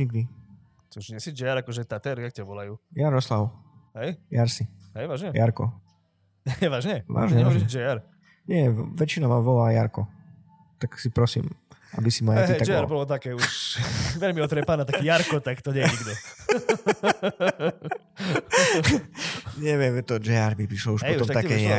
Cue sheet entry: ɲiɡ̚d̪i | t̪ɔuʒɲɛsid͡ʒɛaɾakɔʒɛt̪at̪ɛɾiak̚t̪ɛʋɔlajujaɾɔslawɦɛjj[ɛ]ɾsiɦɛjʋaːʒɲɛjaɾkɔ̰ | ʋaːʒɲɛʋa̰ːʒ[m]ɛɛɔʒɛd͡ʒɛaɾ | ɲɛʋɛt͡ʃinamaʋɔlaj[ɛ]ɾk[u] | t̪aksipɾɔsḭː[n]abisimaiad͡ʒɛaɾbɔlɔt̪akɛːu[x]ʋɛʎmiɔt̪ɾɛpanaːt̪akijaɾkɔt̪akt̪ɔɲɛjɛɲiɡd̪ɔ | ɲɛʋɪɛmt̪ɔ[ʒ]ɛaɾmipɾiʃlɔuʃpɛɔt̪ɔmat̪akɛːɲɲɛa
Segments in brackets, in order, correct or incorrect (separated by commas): incorrect, incorrect, incorrect, incorrect, incorrect, incorrect, incorrect